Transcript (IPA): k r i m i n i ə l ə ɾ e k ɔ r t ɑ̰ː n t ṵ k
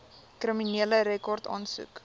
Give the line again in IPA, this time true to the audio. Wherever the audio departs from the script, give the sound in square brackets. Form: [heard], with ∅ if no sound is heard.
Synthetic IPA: k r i m i n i ə l ə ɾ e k ɔ r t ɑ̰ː n [s] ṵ k